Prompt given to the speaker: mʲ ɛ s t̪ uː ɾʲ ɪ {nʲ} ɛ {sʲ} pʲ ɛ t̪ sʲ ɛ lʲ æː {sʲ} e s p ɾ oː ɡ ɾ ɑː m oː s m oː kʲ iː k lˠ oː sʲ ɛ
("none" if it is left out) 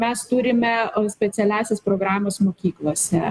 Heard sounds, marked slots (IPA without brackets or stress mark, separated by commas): mʲ, sʲ, sʲ